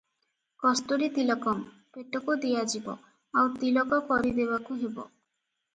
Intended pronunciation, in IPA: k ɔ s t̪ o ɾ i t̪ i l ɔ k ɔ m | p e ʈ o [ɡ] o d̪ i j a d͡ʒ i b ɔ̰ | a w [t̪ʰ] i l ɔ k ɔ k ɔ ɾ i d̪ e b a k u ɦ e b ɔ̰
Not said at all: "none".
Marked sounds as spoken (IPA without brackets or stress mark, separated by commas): k, t̪